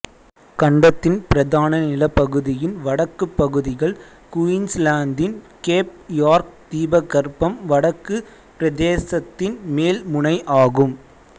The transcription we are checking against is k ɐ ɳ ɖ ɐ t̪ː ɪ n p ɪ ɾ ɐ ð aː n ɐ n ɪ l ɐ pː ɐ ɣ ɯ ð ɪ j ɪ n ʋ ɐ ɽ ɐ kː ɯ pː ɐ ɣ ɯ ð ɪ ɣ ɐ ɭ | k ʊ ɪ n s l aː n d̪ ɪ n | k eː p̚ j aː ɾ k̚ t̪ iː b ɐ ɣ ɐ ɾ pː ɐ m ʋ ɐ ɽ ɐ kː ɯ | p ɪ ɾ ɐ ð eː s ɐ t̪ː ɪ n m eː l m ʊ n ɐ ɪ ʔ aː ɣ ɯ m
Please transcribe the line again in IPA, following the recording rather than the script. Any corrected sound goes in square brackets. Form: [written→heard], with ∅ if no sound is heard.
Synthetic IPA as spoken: k ɐ ɳ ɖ ɐ t̪ː ɪ n p ɪ ɾ ɐ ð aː n ɐ n ɪ l ɐ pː ɐ ɣ ɯ ð ɪ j ɪ n ʋ ɐ ɽ ɐ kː ɯ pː ɐ ɣ ɯ ð ɪ ɣ ɐ ɭ | k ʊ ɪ n s l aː n d̪ ɪ n | k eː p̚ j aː ɾ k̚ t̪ iː b ɐ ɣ ɐ ɾ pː ɐ m ʋ ɐ ɽ ɐ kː ɯ | p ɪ ɾ ɐ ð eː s ɐ t̪ː ɪ n m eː l m ʊ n ɐ ɪ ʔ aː ɣ ɯ m